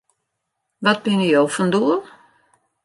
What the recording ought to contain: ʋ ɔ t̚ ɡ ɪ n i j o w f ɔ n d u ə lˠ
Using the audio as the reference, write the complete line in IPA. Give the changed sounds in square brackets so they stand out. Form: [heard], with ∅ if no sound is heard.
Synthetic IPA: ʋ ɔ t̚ [b] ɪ n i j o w f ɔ n d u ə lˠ